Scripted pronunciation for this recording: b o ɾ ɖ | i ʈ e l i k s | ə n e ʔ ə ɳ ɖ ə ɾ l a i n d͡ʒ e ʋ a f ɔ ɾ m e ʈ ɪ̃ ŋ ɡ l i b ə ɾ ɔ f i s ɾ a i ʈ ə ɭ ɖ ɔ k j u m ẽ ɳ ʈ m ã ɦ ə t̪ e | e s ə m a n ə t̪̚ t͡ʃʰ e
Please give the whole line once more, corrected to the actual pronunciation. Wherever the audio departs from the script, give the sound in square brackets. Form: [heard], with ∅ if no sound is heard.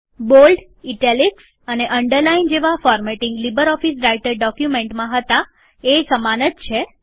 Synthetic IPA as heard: b o [l] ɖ | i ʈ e l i k s | ə n e ʔ ə ɳ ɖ ə ɾ l a i n d͡ʒ e ʋ a f ɔ ɾ m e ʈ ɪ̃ ŋ ɡ l i b ə ɾ ɔ f i s ɾ a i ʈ ə [ɾ] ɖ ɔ k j u m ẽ ɳ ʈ m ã ɦ ə t̪ [a] | e s ə m a n ə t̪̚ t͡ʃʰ e